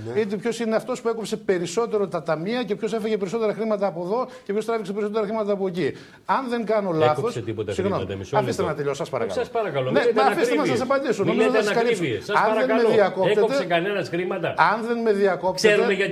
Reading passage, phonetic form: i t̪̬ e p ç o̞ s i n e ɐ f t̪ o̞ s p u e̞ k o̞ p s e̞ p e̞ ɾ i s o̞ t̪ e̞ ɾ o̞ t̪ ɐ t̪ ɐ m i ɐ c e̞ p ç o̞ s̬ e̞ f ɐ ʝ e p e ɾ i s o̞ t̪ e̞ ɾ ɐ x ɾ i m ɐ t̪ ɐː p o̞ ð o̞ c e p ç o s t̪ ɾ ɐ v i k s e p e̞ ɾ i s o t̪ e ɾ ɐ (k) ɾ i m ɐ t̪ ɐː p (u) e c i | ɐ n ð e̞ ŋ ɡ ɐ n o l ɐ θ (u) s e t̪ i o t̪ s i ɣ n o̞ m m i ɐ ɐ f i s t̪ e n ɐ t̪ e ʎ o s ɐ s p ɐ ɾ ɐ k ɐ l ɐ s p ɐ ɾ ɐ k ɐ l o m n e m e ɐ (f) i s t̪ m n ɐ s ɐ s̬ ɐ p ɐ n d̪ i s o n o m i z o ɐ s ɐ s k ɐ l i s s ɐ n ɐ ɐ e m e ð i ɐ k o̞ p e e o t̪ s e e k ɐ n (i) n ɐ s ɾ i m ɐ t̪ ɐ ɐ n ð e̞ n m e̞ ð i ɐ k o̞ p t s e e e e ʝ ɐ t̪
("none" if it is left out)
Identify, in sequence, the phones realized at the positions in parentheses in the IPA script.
x, o, o, f, e

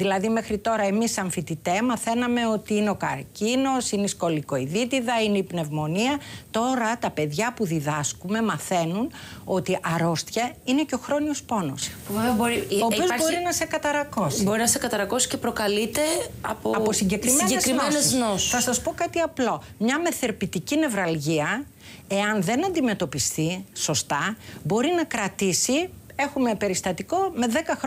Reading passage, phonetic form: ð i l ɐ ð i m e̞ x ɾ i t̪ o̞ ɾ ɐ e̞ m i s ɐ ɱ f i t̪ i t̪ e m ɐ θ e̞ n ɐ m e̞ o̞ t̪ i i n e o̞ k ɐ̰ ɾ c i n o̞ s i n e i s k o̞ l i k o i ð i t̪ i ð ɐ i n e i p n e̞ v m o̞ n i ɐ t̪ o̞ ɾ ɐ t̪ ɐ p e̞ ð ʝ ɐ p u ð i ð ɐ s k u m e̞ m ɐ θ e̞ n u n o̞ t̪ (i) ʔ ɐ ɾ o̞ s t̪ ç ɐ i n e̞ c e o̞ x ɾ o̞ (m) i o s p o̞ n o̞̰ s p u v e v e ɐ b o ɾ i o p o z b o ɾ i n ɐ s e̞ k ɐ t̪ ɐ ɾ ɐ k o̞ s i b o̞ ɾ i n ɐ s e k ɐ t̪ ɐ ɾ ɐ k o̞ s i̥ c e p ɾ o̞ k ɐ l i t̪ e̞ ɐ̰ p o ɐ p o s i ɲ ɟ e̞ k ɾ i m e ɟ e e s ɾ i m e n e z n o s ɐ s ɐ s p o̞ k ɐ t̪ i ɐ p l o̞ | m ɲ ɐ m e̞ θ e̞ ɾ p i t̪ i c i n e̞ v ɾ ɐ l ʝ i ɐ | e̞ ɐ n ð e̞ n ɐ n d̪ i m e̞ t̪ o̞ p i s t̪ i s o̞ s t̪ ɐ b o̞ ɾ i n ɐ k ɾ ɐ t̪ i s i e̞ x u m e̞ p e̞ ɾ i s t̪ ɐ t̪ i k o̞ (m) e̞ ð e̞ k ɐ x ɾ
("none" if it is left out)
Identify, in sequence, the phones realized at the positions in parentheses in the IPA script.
i, n, m

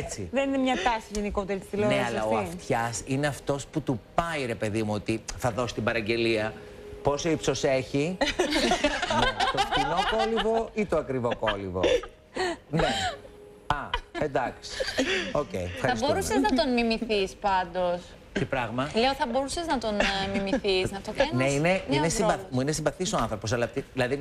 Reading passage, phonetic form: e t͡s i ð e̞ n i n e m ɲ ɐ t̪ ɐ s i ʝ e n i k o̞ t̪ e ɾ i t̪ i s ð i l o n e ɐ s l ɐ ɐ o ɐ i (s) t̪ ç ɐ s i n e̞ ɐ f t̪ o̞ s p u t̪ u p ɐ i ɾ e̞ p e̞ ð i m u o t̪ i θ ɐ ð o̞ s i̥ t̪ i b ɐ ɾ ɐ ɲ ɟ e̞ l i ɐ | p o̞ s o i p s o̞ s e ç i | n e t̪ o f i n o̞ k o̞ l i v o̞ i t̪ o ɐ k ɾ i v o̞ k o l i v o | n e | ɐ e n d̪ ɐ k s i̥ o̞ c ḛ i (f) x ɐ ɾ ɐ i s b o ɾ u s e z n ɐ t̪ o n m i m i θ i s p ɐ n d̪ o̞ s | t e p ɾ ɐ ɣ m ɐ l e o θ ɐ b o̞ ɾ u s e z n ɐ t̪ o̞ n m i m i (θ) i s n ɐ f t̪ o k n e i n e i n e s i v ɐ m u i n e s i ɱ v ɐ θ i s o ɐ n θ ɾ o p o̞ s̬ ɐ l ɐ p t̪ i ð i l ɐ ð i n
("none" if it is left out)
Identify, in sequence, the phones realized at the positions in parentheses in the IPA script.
f, f, θ

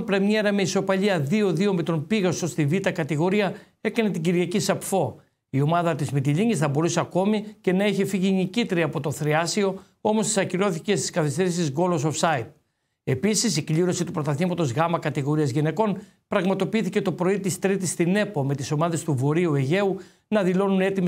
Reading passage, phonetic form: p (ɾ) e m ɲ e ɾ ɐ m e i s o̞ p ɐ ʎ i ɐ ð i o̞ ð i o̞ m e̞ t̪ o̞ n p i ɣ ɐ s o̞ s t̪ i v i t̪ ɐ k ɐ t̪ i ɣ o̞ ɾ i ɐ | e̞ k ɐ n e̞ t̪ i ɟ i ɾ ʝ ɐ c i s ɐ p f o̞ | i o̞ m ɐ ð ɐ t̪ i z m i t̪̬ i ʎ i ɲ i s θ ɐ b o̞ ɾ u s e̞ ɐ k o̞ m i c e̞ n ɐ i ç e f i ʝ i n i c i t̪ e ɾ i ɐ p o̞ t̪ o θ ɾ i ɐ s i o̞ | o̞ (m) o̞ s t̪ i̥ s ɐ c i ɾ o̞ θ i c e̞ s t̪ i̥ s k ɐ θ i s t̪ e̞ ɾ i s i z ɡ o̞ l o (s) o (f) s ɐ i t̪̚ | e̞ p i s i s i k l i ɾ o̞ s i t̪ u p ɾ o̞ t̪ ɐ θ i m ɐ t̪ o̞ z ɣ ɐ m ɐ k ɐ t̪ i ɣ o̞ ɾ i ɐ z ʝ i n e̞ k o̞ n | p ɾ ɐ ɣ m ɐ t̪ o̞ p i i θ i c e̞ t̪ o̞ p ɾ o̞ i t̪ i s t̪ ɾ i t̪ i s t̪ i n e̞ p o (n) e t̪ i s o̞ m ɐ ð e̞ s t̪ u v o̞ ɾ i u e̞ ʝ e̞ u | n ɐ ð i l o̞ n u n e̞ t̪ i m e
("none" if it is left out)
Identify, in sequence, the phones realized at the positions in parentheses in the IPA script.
ɾ, m, s, f, m

